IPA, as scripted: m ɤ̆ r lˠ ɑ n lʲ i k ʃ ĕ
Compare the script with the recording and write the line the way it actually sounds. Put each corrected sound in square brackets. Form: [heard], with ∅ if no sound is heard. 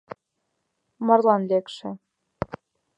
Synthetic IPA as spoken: m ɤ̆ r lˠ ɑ n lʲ [e] k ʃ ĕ